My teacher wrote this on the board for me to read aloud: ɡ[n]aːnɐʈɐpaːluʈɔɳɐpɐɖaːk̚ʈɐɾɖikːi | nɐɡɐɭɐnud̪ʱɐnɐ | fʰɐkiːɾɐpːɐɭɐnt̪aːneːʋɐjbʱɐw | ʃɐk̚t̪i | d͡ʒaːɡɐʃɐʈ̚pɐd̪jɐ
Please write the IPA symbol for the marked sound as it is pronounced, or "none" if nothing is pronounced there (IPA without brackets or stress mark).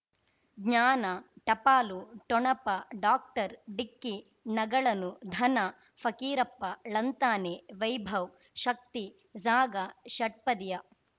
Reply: ɲ